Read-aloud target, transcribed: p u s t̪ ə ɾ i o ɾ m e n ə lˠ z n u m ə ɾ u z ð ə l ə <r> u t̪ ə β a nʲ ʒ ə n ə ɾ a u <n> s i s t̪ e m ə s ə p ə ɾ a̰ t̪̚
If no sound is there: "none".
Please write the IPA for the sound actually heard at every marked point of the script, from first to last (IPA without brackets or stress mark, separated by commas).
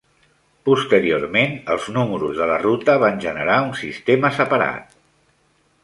r, n